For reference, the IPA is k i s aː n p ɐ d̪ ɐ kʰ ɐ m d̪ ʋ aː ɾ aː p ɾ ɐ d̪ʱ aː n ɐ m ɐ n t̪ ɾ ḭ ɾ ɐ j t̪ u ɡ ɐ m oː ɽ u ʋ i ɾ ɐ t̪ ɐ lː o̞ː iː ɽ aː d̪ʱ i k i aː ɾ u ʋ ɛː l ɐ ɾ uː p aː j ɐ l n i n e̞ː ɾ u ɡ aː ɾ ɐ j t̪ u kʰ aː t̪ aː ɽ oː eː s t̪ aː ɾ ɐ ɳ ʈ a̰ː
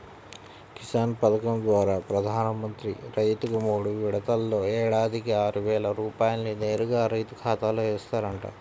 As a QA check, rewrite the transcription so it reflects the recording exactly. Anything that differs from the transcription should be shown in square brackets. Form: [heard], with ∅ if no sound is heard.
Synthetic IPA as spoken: k i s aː n p ɐ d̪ ɐ [k] ɐ m d̪ ʋ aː ɾ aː p ɾ ɐ d̪ʱ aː n ɐ m ɐ n t̪ ɾ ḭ ɾ ɐ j t̪ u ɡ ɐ m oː ɽ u ʋ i [ɽ] ɐ t̪ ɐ lː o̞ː [ɛː] ɽ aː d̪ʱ i k i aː ɾ u ʋ ɛː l ɐ ɾ uː p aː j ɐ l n i n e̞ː ɾ u ɡ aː ɾ ɐ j t̪ u kʰ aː t̪ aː [l] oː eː s t̪ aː ɾ ɐ ɳ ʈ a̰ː